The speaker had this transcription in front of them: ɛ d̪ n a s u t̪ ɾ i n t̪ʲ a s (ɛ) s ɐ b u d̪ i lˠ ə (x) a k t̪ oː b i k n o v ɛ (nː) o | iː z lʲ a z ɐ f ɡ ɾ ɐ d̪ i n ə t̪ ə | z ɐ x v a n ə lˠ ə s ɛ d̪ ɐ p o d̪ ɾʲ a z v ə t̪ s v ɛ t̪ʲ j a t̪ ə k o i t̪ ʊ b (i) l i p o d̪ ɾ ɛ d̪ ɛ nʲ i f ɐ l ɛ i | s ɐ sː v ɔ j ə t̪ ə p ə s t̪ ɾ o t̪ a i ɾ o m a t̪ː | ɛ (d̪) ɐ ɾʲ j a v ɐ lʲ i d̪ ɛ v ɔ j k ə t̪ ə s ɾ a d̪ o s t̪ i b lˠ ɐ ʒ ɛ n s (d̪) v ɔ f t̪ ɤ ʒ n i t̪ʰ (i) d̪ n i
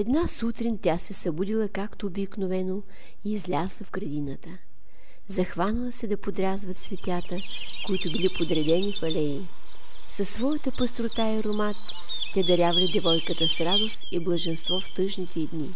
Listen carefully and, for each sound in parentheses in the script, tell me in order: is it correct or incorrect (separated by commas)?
correct, incorrect, incorrect, correct, correct, incorrect, incorrect